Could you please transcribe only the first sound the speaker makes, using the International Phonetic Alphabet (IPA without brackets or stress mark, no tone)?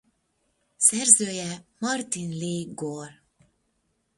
s